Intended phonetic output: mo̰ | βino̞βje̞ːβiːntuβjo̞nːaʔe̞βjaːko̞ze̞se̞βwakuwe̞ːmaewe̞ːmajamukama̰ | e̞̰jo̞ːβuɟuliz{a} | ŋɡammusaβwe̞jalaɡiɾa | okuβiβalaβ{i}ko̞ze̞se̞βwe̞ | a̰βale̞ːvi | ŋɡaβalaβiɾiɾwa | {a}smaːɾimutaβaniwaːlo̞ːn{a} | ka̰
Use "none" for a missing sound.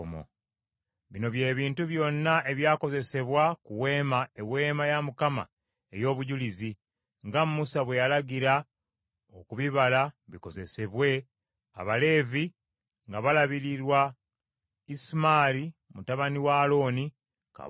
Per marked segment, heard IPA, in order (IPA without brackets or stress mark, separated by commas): i, i, i, i